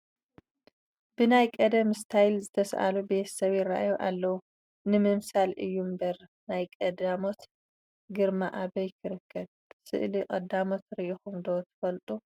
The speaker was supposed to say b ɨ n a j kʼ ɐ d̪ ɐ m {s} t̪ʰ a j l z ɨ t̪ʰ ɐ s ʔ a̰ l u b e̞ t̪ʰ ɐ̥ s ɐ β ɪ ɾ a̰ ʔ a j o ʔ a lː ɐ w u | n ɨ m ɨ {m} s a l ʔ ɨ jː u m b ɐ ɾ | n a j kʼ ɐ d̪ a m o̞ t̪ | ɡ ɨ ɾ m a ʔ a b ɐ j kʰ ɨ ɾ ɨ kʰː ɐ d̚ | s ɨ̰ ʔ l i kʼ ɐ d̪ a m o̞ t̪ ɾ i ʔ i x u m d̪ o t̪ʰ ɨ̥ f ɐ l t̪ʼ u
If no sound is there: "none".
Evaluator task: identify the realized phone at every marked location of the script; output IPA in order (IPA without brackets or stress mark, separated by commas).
s, m